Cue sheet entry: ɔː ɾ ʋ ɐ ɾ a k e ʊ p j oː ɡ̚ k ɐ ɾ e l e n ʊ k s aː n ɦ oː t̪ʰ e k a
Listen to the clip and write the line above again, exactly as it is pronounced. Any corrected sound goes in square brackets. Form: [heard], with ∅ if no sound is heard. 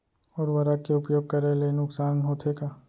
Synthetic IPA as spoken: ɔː ɾ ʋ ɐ ɾ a k e ʊ p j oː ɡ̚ k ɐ ɾ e l e n ʊ k s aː n ɦ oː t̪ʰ e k a